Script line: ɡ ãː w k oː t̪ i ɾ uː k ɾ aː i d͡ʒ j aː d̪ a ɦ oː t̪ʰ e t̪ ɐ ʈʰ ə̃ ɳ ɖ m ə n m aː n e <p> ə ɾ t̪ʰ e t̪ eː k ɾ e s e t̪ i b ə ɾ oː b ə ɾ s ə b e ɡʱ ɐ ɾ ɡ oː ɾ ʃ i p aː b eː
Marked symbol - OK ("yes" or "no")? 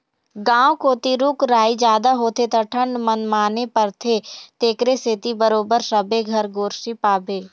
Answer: yes